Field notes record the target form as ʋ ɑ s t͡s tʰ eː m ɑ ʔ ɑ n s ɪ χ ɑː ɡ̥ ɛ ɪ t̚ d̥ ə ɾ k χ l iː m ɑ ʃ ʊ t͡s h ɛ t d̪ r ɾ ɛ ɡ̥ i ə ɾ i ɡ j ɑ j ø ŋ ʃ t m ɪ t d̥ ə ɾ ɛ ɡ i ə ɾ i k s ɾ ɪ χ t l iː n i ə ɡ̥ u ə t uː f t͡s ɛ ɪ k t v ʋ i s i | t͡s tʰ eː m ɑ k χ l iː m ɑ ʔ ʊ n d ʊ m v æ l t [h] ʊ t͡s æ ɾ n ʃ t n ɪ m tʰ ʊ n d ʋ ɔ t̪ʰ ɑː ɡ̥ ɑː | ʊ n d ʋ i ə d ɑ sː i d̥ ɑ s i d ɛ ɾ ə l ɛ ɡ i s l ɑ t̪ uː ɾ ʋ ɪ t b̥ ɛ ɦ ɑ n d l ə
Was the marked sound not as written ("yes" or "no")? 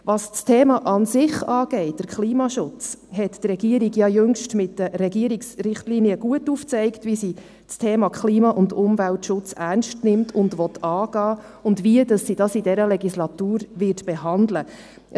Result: yes